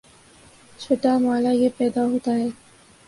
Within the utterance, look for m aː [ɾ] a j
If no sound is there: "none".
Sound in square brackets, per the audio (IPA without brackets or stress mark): l